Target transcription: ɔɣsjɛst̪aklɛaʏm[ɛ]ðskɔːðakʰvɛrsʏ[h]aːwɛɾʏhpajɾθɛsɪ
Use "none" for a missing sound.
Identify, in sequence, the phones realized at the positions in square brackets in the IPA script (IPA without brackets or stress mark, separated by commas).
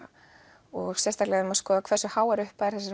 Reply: a, h